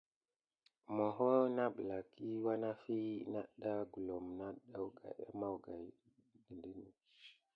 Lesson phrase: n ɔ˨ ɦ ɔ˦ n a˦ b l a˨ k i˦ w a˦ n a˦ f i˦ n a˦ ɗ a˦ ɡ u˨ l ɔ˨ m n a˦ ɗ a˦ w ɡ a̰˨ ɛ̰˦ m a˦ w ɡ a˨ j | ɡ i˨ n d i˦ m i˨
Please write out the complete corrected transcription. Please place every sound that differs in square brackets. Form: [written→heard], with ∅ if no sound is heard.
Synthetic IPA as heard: [n→m] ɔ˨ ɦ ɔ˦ n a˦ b l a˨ k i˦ w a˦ n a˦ f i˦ n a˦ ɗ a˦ ɡ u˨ l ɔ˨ m n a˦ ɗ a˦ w ɡ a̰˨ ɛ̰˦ m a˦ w ɡ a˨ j | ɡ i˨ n d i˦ [m→n] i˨